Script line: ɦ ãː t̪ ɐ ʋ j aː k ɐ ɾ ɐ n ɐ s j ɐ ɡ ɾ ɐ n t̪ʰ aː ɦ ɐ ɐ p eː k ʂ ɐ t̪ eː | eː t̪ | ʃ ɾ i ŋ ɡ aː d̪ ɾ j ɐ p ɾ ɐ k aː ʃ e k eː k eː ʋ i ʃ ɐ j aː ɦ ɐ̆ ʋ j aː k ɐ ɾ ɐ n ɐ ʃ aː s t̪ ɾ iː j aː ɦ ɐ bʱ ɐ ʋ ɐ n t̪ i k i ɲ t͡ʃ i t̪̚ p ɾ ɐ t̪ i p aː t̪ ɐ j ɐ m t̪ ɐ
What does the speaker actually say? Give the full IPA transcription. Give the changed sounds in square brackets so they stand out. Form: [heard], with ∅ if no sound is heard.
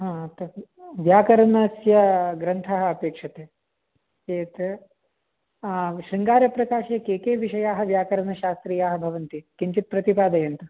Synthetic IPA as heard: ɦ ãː t̪ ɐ ʋ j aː k ɐ ɾ ɐ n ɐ s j ɐ ɡ ɾ ɐ n t̪ʰ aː ɦ ɐ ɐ p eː k ʂ ɐ t̪ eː | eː t̪ | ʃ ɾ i ŋ ɡ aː [∅] ɾ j ɐ p ɾ ɐ k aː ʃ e k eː k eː ʋ i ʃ ɐ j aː ɦ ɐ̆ ʋ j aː k ɐ ɾ ɐ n ɐ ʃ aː s t̪ ɾ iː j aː ɦ ɐ bʱ ɐ ʋ ɐ n t̪ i k i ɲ t͡ʃ i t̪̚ p ɾ ɐ t̪ i p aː [d̪] ɐ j ɐ [n] t̪ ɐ

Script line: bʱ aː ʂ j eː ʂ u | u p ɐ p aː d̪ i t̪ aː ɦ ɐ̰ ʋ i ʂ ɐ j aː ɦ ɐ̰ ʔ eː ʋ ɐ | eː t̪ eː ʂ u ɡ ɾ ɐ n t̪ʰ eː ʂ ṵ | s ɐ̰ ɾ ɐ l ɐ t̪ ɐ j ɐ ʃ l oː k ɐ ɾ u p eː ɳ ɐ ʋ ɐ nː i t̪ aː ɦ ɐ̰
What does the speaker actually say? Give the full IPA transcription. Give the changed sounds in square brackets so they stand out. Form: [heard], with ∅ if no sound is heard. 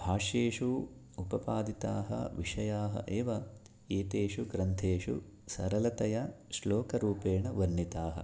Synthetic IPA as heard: bʱ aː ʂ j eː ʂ u | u p ɐ p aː d̪ i t̪ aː ɦ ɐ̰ ʋ i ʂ ɐ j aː ɦ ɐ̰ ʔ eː ʋ ɐ | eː t̪ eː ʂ u ɡ ɾ ɐ n t̪ʰ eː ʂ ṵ | s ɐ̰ ɾ ɐ l ɐ t̪ ɐ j ɐ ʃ l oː k ɐ ɾ [uː] p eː ɳ ɐ ʋ ɐ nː i t̪ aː ɦ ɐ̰

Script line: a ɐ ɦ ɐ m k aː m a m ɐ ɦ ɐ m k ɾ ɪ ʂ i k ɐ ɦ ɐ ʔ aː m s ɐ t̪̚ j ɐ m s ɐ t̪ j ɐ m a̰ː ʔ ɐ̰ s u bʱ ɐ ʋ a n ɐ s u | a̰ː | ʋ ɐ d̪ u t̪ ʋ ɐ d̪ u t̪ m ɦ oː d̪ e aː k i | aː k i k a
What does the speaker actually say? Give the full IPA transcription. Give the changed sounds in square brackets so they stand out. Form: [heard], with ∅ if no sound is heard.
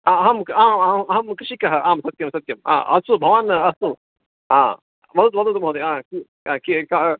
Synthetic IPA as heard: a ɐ ɦ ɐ m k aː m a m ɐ ɦ ɐ m k ɾ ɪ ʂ i k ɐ ɦ ɐ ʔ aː m s ɐ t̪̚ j ɐ m s ɐ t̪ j ɐ m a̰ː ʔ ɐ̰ s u bʱ ɐ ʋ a n ɐ s u | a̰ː | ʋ ɐ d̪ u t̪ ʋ ɐ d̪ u t̪ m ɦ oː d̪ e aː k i | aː k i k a

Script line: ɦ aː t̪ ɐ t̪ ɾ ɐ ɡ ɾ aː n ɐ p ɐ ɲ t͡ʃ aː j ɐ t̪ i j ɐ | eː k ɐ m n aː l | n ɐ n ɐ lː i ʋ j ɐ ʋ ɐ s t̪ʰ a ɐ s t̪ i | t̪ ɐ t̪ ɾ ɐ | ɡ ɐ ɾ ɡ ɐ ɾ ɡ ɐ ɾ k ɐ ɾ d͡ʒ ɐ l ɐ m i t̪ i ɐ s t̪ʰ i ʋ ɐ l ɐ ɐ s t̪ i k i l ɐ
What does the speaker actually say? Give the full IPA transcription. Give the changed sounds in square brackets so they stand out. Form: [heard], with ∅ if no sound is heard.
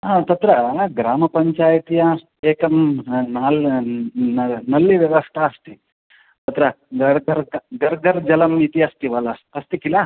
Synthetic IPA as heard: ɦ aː t̪ ɐ t̪ ɾ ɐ ɡ ɾ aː [m] ɐ p ɐ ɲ t͡ʃ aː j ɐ t̪ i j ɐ | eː k ɐ m n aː l | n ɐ n ɐ lː i ʋ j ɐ ʋ ɐ s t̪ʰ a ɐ s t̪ i | t̪ ɐ t̪ ɾ ɐ | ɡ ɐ ɾ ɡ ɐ ɾ ɡ ɐ ɾ [ɡ] ɐ ɾ d͡ʒ ɐ l ɐ m i t̪ i ɐ s [t̪] i ʋ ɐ l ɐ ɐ s t̪ i k i l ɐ

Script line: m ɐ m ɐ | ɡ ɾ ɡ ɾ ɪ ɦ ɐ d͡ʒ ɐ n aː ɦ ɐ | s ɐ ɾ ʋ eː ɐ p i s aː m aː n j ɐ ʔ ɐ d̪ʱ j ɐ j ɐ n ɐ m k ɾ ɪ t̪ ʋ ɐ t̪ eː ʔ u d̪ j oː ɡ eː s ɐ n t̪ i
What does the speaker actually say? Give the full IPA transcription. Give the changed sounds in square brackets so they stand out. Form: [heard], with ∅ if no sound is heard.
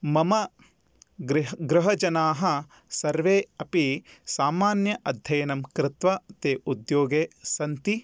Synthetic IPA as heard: m ɐ m ɐ | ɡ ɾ ɡ ɾ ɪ ɦ ɐ d͡ʒ ɐ n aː ɦ ɐ | s ɐ ɾ ʋ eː ɐ p i s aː m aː n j ɐ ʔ ɐ d̪ʱ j ɐ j ɐ n ɐ m k ɾ ɪ t̪ ʋ ɐ t̪ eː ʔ u d̪ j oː ɡ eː s ɐ n t̪ i

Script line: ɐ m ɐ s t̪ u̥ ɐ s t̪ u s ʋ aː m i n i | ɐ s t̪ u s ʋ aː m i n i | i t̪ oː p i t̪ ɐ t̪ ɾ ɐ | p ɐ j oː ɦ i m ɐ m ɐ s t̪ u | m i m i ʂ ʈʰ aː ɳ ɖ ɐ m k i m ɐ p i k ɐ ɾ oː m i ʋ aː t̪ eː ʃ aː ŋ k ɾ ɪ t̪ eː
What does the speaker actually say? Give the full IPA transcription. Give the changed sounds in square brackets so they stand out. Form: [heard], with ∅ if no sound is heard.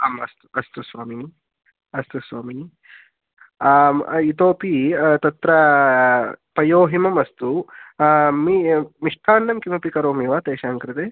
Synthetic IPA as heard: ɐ m ɐ s t̪ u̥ ɐ s t̪ u s ʋ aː m i n i | ɐ s t̪ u s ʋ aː m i n i | i t̪ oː p i t̪ ɐ t̪ ɾ ɐ | p ɐ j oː ɦ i m ɐ m ɐ s t̪ u | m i m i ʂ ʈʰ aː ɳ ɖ ɐ m k i m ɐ p i k ɐ ɾ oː m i ʋ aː t̪ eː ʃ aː ŋ k ɾ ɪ t̪ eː

